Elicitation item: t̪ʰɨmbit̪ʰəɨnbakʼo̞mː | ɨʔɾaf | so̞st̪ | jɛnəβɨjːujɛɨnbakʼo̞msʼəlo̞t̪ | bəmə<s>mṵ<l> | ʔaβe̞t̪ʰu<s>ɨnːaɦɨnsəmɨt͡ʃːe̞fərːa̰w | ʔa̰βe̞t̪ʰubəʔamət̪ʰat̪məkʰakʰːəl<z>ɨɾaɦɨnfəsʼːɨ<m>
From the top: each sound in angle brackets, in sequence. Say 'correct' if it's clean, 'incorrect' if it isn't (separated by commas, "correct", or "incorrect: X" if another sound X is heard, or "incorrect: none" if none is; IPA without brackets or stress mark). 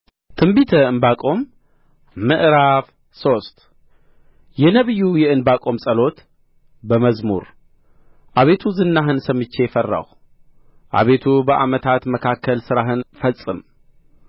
incorrect: z, incorrect: ɾ, incorrect: z, incorrect: s, correct